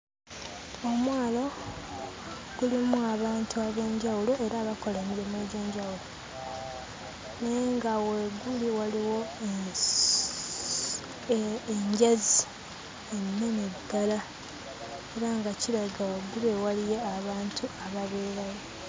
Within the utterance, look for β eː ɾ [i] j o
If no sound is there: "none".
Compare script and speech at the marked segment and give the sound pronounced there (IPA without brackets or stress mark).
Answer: a